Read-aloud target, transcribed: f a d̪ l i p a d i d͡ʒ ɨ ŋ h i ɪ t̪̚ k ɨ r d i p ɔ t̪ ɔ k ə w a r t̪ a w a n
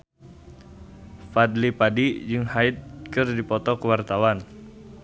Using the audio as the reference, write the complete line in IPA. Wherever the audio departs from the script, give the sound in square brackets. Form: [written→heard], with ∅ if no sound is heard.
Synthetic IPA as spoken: f a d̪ l i p a d i d͡ʒ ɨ ŋ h [i→a] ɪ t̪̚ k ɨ r d i p ɔ t̪ ɔ k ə w a r t̪ a w a n